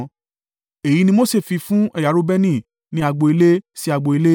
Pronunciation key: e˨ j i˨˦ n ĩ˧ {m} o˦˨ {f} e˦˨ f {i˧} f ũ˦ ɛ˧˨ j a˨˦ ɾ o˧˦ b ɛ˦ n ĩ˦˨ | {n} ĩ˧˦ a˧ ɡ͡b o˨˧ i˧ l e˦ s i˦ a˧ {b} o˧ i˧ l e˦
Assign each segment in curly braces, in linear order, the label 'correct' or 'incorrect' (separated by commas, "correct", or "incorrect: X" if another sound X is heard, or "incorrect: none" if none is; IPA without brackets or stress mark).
correct, incorrect: s, correct, correct, incorrect: ɡ͡b